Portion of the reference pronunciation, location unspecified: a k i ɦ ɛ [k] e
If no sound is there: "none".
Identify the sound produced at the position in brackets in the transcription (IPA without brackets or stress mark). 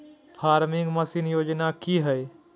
none